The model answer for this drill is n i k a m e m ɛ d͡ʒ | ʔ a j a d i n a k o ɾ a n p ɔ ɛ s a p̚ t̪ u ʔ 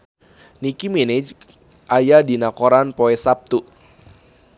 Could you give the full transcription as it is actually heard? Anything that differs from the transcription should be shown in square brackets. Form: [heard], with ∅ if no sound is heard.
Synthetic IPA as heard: n i k [i] m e [n] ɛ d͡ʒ | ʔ a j a d i n a k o ɾ a n p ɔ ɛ s a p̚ t̪ u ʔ